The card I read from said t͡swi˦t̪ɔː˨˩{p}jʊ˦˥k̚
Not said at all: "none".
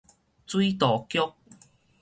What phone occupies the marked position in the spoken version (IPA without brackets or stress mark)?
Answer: k